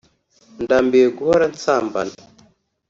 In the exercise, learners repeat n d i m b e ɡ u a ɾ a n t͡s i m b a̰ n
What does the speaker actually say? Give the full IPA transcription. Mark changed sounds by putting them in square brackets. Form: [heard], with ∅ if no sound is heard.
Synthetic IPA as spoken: n d [a] m b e ɡ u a ɾ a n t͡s [a] m b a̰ n